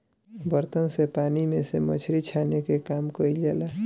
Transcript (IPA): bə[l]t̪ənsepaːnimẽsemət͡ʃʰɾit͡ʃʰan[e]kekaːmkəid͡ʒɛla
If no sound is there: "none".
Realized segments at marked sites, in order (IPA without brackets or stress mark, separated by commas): ɾ, e